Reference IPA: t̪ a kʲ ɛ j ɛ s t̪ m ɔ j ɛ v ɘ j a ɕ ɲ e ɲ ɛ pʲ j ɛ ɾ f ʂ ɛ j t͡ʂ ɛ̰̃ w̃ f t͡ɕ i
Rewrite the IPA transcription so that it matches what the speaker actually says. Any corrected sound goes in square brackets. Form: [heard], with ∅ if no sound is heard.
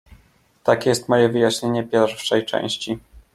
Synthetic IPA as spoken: t̪ a kʲ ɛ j ɛ s t̪ m ɔ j ɛ v ɘ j a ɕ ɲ e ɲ ɛ pʲ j ɛ ɾ f ʂ ɛ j t͡ʂ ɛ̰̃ w̃ [ɕ] t͡ɕ i